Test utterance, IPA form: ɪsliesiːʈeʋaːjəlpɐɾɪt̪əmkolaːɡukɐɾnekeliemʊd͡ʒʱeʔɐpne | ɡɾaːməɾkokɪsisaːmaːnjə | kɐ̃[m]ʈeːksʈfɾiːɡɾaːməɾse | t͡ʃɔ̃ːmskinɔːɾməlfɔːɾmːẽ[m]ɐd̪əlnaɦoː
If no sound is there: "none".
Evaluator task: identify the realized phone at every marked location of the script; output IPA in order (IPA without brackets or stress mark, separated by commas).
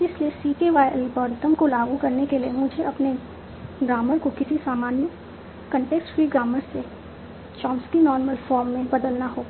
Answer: ɳ, b